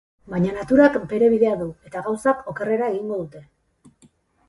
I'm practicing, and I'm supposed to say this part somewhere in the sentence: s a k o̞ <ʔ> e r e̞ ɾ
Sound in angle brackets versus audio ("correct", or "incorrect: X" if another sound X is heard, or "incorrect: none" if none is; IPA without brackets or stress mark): incorrect: k